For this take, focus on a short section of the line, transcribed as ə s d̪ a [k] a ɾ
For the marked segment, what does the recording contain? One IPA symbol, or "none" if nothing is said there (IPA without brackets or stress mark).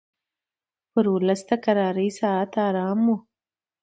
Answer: k